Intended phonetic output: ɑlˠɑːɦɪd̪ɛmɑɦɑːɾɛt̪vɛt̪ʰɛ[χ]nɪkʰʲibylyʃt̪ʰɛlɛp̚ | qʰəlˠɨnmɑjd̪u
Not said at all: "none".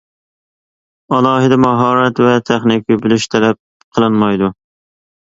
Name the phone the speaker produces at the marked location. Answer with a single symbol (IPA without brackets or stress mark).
χ